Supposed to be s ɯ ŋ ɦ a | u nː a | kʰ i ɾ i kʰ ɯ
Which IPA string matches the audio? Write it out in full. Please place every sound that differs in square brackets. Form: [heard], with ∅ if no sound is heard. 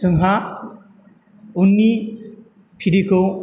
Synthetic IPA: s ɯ ŋ ɦ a | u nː [i] | [pʰ] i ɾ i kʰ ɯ